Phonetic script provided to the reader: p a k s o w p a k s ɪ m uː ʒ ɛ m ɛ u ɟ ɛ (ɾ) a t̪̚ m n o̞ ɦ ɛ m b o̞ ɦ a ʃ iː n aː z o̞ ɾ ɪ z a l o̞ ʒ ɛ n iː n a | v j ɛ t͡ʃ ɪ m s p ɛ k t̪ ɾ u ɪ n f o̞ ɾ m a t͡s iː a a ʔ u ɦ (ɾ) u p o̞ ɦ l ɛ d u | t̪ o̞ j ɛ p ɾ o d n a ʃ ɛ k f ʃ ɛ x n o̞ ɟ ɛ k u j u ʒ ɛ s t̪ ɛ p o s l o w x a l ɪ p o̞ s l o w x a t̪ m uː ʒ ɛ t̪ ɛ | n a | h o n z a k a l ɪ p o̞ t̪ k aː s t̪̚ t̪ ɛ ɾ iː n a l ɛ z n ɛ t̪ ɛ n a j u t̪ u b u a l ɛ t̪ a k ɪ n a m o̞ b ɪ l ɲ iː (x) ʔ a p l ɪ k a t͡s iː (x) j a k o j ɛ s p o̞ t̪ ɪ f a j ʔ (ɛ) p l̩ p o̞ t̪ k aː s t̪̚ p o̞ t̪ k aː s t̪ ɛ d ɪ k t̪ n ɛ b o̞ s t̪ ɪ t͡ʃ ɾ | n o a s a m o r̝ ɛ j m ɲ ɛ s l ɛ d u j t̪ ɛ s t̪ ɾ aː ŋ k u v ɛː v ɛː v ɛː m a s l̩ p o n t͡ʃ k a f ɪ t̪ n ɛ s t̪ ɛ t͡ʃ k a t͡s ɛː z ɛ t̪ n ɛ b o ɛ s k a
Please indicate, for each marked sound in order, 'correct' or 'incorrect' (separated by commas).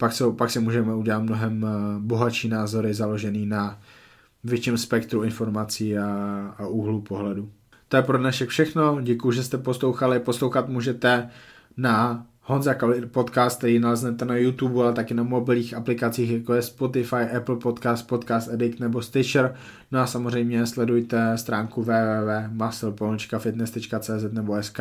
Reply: incorrect, incorrect, correct, correct, correct